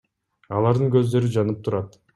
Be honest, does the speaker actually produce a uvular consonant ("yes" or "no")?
no